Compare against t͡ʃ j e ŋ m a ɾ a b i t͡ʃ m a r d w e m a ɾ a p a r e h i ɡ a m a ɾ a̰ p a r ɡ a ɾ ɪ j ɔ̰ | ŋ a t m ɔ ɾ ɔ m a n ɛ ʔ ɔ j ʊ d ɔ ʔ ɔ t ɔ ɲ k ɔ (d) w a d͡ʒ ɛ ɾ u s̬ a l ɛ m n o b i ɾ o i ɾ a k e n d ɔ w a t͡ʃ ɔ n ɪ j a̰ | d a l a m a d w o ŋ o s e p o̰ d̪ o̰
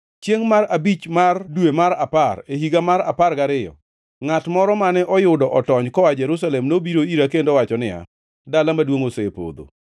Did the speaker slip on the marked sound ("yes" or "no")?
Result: yes